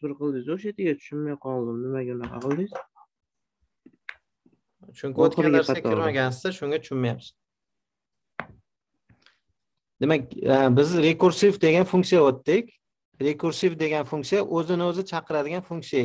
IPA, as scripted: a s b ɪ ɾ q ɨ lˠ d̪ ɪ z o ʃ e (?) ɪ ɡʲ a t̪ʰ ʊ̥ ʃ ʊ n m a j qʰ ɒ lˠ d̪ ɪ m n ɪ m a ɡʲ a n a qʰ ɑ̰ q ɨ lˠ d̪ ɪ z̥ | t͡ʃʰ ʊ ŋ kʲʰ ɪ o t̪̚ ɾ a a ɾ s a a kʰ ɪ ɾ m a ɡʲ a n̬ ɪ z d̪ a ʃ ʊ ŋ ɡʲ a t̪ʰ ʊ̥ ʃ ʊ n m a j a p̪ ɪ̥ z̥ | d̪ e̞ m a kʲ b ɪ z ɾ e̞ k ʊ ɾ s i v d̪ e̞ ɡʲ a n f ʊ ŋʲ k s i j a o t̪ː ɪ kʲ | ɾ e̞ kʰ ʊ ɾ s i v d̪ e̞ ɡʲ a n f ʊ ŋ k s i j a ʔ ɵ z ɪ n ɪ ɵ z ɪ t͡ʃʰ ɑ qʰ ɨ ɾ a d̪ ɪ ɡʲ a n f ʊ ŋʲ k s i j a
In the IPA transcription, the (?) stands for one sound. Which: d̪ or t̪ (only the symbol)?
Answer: t̪